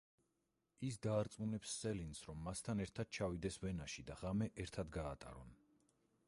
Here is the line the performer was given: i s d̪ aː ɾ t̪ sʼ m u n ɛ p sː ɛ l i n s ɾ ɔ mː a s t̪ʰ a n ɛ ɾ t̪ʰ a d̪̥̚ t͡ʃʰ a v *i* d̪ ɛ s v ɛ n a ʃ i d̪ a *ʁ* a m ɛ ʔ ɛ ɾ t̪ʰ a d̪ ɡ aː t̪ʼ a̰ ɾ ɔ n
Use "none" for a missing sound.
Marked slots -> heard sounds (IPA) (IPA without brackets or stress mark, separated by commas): i, ʁ